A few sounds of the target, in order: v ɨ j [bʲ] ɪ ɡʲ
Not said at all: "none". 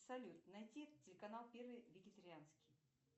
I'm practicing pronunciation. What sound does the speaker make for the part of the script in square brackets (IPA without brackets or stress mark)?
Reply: vʲ